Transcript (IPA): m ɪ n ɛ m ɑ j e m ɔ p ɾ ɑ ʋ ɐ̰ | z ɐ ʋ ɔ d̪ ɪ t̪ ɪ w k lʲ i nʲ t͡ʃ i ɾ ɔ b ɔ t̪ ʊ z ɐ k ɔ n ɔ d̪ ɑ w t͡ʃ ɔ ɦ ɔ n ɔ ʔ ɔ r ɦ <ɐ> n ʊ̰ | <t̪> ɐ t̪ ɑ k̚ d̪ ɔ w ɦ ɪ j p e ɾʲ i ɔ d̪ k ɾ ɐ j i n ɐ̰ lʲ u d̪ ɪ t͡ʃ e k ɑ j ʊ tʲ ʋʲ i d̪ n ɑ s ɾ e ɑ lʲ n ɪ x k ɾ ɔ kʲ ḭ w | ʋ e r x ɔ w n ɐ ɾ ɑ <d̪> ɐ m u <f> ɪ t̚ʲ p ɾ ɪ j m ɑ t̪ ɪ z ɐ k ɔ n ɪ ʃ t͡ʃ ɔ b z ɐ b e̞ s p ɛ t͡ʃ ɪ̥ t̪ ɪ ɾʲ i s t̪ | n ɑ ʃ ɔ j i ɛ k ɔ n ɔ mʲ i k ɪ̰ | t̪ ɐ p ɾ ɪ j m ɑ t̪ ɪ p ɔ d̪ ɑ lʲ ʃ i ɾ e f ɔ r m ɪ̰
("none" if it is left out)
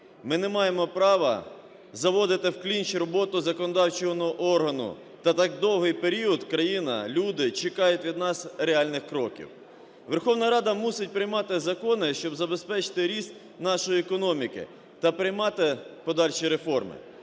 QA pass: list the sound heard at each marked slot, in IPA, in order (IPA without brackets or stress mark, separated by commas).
ɐ, t̪, d̪, s